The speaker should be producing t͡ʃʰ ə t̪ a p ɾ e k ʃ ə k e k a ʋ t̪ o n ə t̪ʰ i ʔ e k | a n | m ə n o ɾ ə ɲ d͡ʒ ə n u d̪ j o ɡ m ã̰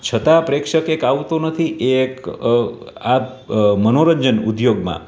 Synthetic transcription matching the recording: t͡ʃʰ ə t̪ a p ɾ e k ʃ ə k e k a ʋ t̪ o n ə t̪ʰ i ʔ e k | a | m ə n o ɾ ə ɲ d͡ʒ ə n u d̪ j o ɡ m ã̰